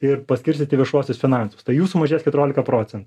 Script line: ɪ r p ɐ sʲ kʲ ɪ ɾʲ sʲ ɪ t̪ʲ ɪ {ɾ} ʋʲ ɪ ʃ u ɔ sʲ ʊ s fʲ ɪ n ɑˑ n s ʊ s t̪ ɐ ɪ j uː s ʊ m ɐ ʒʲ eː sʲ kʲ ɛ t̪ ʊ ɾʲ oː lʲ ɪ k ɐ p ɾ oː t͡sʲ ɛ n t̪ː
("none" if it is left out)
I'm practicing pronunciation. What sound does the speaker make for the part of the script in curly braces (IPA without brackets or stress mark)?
none